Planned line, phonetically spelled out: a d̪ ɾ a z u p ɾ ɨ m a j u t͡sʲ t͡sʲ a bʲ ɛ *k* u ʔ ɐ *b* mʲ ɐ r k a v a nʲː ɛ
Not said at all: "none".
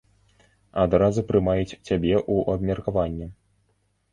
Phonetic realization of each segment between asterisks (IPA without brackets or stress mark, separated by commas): ʔ, b